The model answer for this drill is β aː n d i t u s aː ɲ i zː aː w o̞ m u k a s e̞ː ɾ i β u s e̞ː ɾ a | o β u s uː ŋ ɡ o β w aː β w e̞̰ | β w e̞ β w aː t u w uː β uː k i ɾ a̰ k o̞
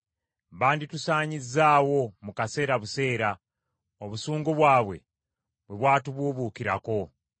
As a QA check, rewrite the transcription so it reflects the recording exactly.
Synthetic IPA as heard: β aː n d i t u s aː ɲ i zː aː w o̞ m u k a s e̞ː ɾ a β u s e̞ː ɾ a | o β u s uː ŋ ɡ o β w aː β w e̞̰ | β w e̞ β w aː t u β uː β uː k i ɾ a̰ k o̞